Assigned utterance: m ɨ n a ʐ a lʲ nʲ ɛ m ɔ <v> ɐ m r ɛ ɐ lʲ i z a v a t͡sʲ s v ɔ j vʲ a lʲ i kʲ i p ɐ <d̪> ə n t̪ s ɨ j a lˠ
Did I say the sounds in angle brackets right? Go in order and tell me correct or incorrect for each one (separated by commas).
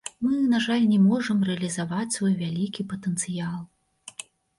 incorrect, incorrect